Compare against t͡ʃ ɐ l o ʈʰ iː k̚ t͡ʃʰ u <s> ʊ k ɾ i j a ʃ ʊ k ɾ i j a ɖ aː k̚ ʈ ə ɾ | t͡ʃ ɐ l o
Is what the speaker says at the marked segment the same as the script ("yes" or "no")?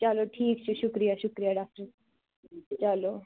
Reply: no